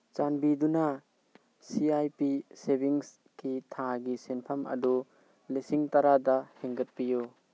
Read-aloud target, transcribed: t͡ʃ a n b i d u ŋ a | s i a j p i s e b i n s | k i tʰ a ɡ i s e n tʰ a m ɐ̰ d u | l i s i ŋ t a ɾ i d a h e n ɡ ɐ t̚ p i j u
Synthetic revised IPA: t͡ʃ a n b i d u n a | s i a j p i s e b i ŋ s | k i tʰ a ɡ i s e n pʰ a m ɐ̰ d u | l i s i ŋ t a ɾ a d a h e ŋ ɡ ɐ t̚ p i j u